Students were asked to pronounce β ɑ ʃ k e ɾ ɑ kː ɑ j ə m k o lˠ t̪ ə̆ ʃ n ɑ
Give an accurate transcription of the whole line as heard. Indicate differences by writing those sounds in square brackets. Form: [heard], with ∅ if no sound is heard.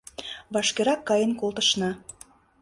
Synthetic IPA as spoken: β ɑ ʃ k e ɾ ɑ kː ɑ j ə [n] k o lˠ t̪ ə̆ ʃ n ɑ